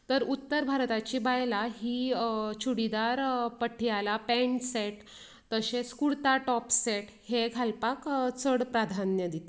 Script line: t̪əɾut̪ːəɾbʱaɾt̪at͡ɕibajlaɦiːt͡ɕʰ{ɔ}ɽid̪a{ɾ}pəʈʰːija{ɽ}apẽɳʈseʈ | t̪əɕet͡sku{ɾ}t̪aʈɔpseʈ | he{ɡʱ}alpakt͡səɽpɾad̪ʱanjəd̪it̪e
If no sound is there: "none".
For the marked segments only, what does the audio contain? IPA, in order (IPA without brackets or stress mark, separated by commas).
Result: u, ɾ, l, ɽ, ɡʱ